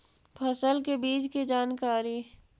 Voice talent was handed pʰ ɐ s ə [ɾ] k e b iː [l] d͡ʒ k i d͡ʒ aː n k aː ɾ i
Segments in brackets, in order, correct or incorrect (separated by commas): incorrect, incorrect